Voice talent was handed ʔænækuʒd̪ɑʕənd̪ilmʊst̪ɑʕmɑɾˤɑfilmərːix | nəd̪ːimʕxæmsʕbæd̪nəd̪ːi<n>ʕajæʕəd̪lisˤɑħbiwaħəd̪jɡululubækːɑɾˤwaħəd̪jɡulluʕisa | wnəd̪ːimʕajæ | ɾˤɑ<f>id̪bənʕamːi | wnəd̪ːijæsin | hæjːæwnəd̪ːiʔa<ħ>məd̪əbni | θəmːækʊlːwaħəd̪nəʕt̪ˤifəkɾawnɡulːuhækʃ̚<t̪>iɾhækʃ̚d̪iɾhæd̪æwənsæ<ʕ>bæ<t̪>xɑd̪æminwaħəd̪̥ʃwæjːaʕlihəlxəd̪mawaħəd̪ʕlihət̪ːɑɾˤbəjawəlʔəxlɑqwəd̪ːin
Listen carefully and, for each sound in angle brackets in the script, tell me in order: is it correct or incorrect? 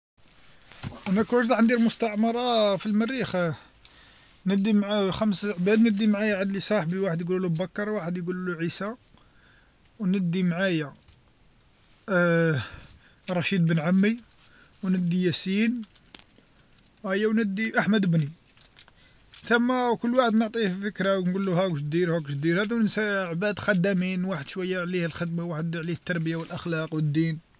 incorrect, incorrect, correct, incorrect, correct, incorrect

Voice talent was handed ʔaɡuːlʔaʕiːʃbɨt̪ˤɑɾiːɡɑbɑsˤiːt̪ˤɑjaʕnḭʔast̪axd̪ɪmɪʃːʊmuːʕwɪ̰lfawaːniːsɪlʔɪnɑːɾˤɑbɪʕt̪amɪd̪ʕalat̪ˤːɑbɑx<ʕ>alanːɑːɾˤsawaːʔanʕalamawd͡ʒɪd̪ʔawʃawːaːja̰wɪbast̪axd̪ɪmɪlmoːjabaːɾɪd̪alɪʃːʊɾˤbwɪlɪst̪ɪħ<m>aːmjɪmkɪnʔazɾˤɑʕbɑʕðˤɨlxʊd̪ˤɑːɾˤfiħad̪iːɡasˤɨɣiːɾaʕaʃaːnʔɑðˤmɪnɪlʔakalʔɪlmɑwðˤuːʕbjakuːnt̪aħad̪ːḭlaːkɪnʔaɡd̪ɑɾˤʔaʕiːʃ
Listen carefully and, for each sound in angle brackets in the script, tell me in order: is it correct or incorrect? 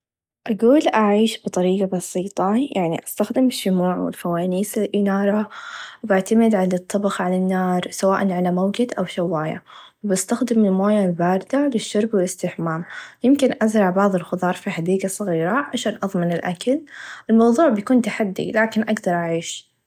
correct, correct

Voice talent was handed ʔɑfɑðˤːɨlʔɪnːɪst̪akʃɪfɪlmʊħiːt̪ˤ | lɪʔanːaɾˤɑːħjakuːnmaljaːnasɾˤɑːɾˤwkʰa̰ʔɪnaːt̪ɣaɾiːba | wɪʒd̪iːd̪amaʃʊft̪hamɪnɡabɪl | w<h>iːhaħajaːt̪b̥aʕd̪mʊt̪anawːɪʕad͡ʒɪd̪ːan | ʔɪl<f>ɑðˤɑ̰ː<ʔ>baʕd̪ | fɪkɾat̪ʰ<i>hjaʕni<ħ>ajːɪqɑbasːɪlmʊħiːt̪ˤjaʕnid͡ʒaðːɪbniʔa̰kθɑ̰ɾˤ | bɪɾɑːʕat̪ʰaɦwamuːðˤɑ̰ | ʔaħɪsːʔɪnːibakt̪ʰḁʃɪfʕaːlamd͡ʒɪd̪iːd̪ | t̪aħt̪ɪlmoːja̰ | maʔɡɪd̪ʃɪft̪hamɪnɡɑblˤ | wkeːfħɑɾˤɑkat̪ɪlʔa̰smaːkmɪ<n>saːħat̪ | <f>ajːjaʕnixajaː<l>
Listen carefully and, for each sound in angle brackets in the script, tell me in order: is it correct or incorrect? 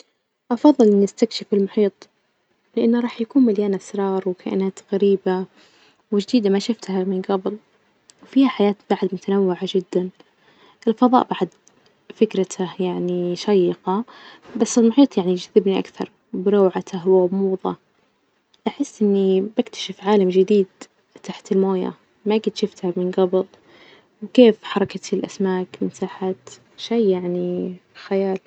incorrect, correct, correct, incorrect, incorrect, correct, incorrect, correct

